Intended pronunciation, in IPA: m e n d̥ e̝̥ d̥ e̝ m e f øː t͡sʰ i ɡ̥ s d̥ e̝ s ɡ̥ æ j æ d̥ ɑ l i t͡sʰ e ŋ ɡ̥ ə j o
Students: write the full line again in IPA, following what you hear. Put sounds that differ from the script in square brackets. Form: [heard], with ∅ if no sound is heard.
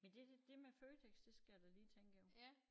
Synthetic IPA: m e n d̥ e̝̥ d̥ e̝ m e f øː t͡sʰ [e] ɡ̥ s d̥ e̝ s ɡ̥ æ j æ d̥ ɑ l [iː] t͡sʰ e ŋ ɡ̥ ə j o

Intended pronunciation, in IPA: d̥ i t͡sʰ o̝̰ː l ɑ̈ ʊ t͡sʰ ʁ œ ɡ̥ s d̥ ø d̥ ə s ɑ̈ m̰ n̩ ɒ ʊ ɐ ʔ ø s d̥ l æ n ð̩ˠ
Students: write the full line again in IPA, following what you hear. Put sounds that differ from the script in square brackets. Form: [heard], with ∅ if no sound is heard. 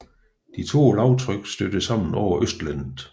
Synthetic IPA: d̥ i t͡sʰ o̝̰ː l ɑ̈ ʊ t͡sʰ ʁ œ ɡ̥ s d̥ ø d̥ ə s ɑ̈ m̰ n̩ ɒ ʊ ɐ ʔ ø s d̥ l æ n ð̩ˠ

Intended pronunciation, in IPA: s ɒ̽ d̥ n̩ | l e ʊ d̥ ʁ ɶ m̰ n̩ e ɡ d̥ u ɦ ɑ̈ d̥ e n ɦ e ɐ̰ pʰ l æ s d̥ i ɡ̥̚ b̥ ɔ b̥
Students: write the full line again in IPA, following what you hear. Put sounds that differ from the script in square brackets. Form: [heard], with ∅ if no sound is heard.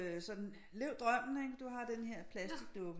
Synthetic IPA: s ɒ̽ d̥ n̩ | l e ʊ d̥ ʁ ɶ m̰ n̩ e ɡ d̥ u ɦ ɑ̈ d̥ e n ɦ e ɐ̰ pʰ l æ s d̥ i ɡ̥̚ [d̥] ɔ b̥

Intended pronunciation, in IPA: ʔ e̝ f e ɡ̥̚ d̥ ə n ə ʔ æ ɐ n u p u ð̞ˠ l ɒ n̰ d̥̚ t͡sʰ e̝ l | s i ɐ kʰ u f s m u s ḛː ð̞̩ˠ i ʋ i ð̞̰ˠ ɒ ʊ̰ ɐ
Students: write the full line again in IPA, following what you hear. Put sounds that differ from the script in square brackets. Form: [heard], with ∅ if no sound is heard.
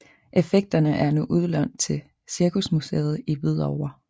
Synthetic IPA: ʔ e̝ f e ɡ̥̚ d̥ [ɐ] n ə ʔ æ ɐ n u [ʔ] u ð̞ˠ l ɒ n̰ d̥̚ t͡sʰ e̝ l | s i ɐ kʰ u [∅] s m u s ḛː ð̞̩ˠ i ʋ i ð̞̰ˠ ɒ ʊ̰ ɐ

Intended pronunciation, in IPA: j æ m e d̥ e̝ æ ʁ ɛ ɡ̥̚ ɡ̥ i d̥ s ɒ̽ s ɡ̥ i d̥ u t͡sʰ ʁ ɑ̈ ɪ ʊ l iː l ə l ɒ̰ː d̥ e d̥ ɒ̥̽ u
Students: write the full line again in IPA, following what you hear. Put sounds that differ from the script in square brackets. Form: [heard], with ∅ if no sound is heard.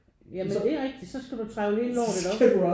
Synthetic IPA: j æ m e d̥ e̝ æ ʁ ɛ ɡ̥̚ [d̥] i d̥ s ɒ̽ s ɡ̥ [æ] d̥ u t͡sʰ ʁ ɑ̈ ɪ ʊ l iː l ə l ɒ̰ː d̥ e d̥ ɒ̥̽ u

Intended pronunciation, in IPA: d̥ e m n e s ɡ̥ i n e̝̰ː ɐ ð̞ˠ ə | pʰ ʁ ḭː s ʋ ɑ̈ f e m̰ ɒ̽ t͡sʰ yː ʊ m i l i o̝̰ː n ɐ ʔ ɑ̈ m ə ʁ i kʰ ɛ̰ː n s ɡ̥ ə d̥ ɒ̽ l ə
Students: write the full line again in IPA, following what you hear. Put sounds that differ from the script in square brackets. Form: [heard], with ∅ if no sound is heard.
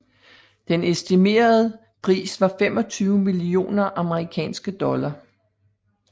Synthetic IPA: d̥ e [∅] n e s [d̥] i [m] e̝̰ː ɐ ð̞ˠ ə | pʰ ʁ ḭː s ʋ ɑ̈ f e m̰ ɒ̽ t͡sʰ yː ʊ m i l i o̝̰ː n ɐ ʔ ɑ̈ m ə ʁ i kʰ ɛ̰ː n s ɡ̥ ə d̥ ɒ̽ l [ɐ]

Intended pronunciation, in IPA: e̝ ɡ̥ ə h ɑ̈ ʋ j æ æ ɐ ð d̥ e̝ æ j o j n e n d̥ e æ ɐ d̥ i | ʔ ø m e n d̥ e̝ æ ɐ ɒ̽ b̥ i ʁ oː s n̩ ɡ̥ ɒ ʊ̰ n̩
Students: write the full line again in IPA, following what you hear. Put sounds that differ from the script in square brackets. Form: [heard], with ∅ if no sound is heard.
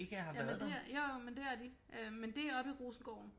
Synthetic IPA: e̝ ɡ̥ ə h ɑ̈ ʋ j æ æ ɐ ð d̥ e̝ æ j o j [m] e n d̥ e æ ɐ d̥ i | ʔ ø m e n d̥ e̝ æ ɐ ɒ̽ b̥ i ʁ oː s n̩ ɡ̥ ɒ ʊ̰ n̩

